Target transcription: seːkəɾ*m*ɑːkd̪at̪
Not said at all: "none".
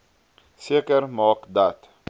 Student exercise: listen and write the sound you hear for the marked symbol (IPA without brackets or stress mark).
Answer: m